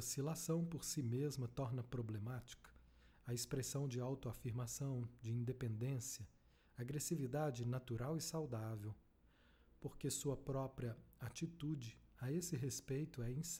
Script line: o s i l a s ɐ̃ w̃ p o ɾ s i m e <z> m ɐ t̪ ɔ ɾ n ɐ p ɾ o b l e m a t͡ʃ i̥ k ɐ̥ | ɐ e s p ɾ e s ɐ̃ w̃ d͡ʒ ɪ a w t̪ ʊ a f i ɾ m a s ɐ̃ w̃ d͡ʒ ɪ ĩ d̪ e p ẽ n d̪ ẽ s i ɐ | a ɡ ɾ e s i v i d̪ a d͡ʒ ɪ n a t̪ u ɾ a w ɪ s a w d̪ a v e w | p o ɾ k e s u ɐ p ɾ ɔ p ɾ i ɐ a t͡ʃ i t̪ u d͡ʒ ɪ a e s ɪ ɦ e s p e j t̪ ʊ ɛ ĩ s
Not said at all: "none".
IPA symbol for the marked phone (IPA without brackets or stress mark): z